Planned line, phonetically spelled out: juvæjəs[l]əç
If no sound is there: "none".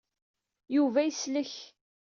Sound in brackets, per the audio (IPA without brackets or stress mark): l